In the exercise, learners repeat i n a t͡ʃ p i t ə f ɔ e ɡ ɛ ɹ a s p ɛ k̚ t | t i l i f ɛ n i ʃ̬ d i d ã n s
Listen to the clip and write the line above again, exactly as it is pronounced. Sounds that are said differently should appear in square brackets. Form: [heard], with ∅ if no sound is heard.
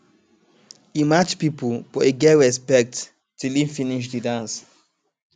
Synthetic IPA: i [m] a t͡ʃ p i [p] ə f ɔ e ɡ ɛ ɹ [ɛ] s p ɛ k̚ t | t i l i f [i] n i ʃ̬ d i d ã n s

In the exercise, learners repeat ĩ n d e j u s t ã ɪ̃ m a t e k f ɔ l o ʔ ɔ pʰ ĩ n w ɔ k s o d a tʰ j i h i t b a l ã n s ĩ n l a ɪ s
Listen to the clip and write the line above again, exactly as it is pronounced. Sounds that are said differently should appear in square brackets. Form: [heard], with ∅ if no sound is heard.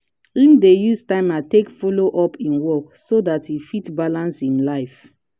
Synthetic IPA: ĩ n d e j u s t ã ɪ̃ m a t e k f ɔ l o ʔ ɔ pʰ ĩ n w ɔ k s o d a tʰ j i [f] i t b a l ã n s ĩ n l a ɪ [f]

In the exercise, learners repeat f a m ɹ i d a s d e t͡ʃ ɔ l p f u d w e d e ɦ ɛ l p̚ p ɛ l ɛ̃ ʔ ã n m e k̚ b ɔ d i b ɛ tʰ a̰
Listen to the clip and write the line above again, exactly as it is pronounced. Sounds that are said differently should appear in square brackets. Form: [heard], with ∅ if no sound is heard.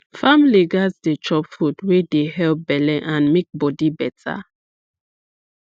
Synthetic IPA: f a m [l] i [ɡ] a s d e t͡ʃ ɔ [∅] p f u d w e d e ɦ ɛ l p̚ [b] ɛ l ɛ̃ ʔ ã n m e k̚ b ɔ d i b ɛ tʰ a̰

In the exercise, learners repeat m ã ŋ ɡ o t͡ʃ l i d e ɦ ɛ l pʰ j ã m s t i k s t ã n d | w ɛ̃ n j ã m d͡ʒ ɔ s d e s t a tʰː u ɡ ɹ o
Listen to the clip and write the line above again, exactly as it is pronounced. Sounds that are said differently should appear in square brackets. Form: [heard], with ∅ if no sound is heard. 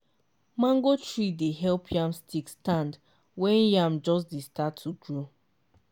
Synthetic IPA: m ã ŋ ɡ o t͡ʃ [ɹ] i d e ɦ ɛ l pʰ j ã m s t i k s t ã n d | w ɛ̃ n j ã m d͡ʒ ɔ s d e s t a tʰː u ɡ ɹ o

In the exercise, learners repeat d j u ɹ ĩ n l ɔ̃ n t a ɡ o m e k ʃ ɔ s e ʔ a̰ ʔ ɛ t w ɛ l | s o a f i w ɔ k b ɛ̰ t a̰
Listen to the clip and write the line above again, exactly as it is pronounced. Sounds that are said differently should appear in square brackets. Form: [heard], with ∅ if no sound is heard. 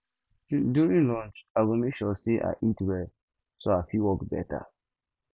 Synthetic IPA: d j u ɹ ĩ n l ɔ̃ n [t͡ʃ] a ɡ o m e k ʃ ɔ s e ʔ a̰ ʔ [i] t w ɛ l | s o a f i w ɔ k b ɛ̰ t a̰

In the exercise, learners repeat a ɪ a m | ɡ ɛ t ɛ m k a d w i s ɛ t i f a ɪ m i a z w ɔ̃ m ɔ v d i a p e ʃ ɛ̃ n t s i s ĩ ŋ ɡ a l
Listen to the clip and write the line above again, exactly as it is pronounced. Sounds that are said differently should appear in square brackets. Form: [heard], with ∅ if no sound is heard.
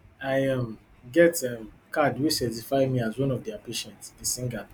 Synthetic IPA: a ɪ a m | ɡ ɛ t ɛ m k a d w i s ɛ t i f a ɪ m i a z w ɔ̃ [n] ɔ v d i a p e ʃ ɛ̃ n t s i s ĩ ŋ ɡ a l

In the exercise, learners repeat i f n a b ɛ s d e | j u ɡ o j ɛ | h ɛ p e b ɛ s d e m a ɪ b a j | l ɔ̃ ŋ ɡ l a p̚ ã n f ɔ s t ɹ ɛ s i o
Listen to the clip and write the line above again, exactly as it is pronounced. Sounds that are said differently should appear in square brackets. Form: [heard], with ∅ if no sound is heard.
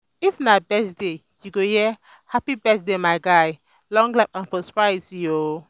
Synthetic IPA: i f n a b ɛ s d e | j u ɡ o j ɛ | h [a] p [i] b ɛ s d e m a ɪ [ɡ] a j | l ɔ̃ ŋ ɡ l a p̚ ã n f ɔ s [p] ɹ [a] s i o

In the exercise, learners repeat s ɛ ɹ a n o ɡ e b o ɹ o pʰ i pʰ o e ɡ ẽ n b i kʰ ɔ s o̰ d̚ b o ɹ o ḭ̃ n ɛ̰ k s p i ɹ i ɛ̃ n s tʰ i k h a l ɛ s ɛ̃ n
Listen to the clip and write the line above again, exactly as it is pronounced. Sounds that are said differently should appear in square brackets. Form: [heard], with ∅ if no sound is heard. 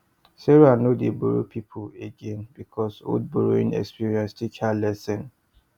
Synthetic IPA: s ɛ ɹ a n o [d] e b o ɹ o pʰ i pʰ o e ɡ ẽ n b i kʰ ɔ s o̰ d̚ b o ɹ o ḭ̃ n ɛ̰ k s p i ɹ i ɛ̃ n s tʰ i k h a l ɛ s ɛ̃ n

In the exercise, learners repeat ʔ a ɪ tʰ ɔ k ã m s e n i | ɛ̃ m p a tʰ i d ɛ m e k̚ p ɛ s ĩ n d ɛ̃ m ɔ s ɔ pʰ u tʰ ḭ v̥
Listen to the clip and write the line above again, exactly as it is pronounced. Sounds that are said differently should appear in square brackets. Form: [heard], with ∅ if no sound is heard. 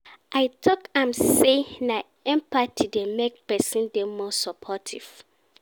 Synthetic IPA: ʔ a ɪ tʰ ɔ k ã m s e n [a] | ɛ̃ m p a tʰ i d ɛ m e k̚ p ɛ s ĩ n d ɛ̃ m ɔ s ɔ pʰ [ɔ] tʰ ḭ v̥

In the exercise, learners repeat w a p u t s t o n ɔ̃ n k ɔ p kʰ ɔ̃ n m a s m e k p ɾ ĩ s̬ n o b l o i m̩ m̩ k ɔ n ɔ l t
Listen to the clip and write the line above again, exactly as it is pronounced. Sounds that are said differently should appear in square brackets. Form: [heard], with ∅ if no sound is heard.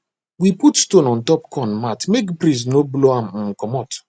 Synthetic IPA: w [i] p u t s t o n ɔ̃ n [t] ɔ p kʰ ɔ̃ n m a [t] m e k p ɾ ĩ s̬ n o b l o [a] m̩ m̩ k ɔ [m] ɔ [∅] t

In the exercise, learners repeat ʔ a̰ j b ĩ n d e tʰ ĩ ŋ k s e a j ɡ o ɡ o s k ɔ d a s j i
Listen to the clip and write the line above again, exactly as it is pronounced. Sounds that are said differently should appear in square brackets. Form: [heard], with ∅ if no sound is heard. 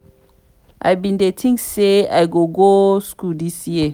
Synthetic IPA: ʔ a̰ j b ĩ n d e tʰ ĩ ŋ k s e a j ɡ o ɡ o s k [u] d [i] s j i

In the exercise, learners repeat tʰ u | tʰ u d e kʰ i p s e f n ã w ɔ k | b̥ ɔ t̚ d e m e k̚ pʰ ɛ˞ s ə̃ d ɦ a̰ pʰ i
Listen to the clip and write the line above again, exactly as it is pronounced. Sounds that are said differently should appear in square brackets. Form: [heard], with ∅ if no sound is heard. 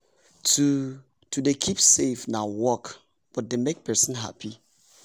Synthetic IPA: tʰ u | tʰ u d e kʰ i p s e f n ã w ɔ k | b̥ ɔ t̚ d e m e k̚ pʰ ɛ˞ s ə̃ [n] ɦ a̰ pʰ i

